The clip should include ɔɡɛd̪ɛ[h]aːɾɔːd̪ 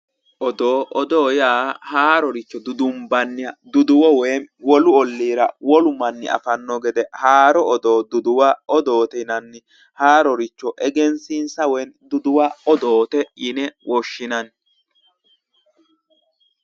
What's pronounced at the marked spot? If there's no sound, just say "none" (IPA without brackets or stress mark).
h